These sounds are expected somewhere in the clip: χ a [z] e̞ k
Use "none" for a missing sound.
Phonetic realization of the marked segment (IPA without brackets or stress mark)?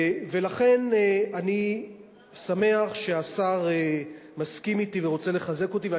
z